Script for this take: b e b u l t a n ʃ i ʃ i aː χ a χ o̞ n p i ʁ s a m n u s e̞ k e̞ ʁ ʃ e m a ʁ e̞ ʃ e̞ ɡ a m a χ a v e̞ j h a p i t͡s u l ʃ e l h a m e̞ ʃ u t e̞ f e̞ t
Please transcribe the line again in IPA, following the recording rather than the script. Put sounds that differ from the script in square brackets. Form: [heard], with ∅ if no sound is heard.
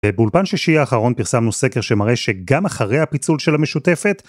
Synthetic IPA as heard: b e b u l [p] a n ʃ i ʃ i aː χ a [ʁ] o̞ n p i ʁ s a m n u s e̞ k e̞ ʁ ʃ e m a ʁ e̞ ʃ e̞ ɡ a m a χ a [ʁ] e̞ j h a p i t͡s u l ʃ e l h a m e̞ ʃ u t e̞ f e̞ t